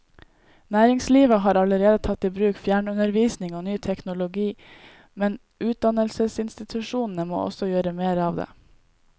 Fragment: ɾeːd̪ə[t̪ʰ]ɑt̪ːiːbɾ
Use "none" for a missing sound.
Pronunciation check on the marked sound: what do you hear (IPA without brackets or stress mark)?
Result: t̪ʰ